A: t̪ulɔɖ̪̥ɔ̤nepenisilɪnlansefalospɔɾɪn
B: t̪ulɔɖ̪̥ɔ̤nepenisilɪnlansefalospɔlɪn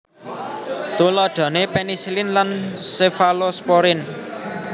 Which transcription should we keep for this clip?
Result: A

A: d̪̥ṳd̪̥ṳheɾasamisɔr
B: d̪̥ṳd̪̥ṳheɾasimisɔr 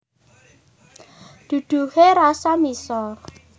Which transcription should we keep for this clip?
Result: A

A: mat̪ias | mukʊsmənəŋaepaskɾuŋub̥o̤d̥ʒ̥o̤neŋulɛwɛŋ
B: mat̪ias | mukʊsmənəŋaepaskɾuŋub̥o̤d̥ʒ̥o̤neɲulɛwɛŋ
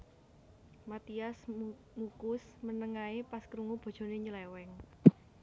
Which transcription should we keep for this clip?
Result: B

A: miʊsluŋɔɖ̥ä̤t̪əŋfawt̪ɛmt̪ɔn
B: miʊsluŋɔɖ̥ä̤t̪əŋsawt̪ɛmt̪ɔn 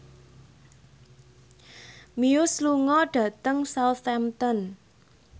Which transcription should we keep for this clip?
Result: B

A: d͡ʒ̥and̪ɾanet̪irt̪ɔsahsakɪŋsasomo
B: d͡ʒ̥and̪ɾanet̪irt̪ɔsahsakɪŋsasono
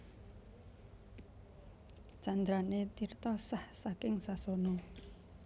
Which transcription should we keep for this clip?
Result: B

